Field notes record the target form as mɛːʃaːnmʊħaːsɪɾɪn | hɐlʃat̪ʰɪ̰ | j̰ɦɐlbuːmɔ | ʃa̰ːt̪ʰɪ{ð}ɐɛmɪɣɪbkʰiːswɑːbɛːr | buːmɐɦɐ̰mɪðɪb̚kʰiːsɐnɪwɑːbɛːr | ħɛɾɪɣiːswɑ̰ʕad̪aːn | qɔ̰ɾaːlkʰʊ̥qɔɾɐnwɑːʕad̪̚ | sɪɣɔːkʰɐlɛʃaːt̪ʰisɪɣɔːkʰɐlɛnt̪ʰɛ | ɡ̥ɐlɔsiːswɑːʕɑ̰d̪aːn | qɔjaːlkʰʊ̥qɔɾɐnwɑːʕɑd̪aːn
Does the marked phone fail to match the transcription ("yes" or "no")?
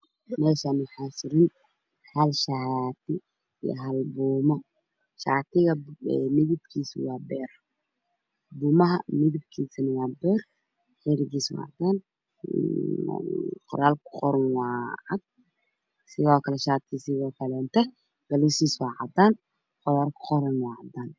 yes